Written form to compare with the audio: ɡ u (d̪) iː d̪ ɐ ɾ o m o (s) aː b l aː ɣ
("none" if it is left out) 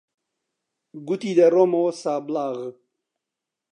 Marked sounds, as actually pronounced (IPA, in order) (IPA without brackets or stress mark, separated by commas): t̪, s